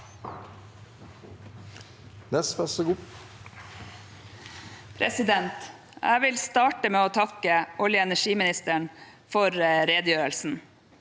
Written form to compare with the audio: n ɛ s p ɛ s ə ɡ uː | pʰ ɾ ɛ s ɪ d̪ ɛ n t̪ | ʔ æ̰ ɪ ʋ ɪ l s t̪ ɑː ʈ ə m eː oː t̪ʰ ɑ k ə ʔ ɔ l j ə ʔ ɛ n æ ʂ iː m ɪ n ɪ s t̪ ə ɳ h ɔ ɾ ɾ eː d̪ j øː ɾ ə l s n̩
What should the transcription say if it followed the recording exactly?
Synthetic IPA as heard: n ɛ s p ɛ s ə ɡ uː | pʰ ɾ ɛ s ɪ d̪ ɛ n t̪ | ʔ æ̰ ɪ ʋ ɪ l s t̪ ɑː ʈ ə m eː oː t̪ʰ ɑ k ə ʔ ɔ l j ə ɛ n æ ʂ iː m ɪ n ɪ s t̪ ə ɳ f ɔ ɾ ɾ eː d̪ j øː ɾ ə l s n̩